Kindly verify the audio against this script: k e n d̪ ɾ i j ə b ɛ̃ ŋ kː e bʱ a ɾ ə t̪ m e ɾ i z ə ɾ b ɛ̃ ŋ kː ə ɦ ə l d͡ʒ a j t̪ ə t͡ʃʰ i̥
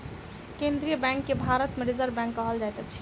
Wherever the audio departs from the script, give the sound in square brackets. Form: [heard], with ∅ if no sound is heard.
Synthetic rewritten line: k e n d̪ ɾ i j ə b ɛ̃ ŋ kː e bʱ a ɾ ə t̪ m e ɾ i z ə ɾ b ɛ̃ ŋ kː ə ɦ ə l d͡ʒ a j t̪ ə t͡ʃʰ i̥